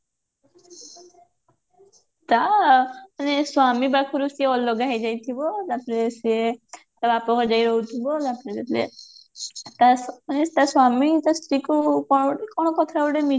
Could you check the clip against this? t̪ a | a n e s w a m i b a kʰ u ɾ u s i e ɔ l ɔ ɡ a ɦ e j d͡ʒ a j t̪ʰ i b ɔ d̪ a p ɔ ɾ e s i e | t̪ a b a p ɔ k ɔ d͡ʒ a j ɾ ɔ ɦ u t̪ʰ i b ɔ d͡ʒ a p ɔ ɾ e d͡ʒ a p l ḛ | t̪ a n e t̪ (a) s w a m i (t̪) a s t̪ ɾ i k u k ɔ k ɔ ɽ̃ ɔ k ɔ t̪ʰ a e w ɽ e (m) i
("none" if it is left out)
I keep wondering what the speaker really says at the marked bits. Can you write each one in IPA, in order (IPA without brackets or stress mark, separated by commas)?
a, t̪, m